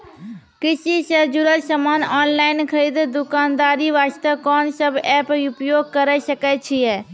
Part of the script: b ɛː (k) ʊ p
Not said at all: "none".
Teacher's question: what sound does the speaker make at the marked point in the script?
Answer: p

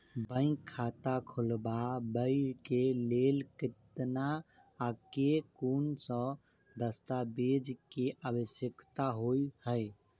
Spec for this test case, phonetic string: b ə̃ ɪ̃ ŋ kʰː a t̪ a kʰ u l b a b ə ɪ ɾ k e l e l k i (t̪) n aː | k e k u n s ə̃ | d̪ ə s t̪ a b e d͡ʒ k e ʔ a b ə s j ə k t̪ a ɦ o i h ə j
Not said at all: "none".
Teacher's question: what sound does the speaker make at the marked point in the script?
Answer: t̪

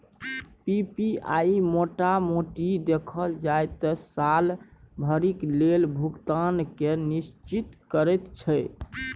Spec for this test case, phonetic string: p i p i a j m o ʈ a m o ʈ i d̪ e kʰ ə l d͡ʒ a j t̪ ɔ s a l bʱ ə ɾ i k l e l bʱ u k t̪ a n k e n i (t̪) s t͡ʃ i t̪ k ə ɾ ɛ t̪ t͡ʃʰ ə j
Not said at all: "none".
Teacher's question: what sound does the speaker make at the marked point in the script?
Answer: none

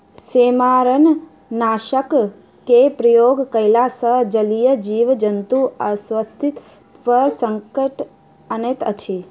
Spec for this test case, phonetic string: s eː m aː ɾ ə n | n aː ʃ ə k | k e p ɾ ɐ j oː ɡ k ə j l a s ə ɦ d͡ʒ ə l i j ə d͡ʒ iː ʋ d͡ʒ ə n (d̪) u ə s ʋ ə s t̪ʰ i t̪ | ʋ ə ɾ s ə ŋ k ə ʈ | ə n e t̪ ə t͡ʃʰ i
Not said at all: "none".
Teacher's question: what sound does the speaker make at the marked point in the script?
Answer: t̪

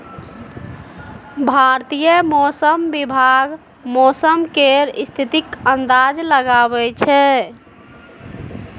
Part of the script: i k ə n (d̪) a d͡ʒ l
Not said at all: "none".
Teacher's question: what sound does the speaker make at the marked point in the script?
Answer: d̪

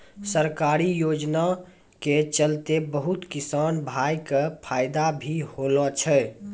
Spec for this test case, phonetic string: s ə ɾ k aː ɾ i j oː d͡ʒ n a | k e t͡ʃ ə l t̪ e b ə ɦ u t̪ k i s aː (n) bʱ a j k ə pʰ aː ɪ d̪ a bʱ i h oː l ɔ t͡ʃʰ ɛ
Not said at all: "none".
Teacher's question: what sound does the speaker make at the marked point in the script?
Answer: n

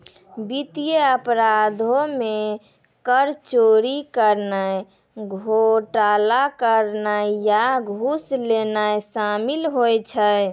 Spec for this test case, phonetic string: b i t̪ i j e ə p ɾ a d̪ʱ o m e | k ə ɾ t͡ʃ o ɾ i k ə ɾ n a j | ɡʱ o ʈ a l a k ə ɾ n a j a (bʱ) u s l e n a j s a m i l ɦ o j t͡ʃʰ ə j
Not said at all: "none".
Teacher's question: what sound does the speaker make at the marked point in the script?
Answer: ɡʱ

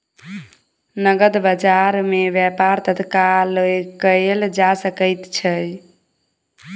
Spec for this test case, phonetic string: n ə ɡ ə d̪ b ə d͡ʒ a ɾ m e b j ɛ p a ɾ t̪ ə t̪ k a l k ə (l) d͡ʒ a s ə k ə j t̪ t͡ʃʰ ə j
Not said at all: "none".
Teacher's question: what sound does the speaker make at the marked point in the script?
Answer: l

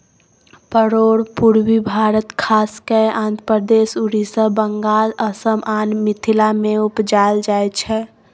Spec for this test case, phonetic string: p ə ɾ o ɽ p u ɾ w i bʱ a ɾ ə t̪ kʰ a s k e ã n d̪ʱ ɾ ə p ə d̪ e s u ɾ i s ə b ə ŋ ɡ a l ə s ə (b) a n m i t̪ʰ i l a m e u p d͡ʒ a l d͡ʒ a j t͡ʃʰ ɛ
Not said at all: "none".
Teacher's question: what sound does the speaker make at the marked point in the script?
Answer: m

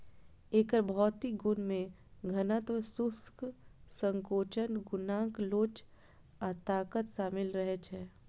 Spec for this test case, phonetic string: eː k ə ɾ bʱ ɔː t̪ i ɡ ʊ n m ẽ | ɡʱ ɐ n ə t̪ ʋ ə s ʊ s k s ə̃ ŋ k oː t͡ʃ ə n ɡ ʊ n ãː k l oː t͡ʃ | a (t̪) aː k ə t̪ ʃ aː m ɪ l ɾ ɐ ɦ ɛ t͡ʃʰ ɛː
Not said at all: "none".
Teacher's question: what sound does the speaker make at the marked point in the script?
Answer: t̪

